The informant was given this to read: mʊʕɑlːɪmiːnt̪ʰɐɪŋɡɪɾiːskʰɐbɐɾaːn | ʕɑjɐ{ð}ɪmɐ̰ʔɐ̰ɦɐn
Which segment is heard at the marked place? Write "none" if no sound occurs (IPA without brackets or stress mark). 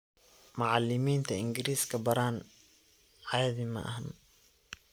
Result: ð